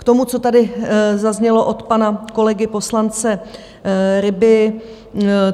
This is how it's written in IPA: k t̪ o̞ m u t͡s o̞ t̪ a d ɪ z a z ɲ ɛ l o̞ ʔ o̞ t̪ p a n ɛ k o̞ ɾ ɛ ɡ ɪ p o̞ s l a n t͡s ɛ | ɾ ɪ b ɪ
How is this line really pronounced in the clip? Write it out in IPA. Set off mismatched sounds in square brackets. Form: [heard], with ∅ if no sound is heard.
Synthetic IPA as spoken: k t̪ o̞ m u t͡s o̞ t̪ a d ɪ z a z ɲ ɛ l o̞ ʔ o̞ t̪ p a n [a] k o̞ [l] ɛ ɡ ɪ p o̞ s l a n t͡s ɛ | ɾ ɪ b ɪ